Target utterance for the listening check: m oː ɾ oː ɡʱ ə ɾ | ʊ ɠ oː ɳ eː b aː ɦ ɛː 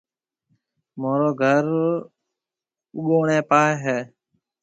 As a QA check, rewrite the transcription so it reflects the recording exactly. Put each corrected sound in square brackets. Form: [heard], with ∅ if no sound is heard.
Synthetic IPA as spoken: m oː ɾ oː ɡʱ ə ɾ | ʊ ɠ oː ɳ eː [p] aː ɦ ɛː